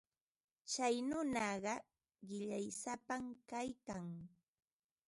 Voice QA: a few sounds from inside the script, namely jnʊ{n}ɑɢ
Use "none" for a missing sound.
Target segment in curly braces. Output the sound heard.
n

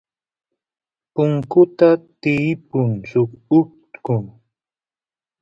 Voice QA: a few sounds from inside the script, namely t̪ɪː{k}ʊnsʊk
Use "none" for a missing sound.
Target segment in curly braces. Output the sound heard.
p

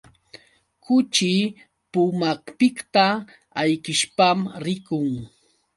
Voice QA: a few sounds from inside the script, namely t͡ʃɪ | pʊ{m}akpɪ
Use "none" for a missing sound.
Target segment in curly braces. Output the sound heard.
m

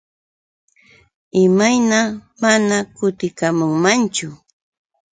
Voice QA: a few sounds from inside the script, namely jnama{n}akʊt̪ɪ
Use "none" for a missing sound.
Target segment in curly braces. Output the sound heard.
n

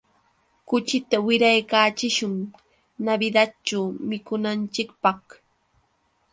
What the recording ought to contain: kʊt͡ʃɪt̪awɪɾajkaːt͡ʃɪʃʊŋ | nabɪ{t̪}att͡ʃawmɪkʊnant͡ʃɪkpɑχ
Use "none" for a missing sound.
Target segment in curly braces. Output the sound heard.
d̪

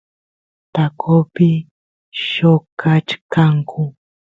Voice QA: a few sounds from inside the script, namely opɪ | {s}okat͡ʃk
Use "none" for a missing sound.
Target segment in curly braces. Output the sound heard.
ʃ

